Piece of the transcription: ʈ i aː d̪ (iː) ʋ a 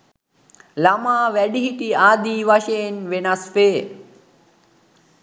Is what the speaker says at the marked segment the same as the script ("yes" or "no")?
yes